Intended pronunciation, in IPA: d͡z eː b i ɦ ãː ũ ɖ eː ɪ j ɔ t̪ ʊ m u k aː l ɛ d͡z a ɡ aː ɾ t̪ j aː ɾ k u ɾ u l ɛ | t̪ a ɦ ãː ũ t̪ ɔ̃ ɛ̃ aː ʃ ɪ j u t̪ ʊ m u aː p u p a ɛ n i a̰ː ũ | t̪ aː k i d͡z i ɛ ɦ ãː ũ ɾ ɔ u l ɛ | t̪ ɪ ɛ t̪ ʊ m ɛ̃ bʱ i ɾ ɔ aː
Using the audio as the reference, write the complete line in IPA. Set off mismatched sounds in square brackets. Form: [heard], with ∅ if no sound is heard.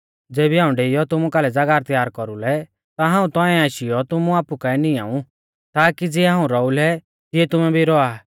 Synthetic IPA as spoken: d͡z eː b i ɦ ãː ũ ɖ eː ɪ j ɔ t̪ ʊ m u k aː l ɛ d͡z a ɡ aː ɾ t̪ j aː ɾ k [ɔ] ɾ u l ɛ | t̪ a ɦ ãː ũ t̪ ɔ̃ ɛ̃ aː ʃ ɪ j [ɔ] t̪ ʊ m u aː p u [k] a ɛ n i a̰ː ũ | t̪ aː k i d͡z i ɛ ɦ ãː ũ ɾ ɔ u l ɛ | t̪ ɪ ɛ t̪ ʊ m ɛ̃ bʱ i ɾ ɔ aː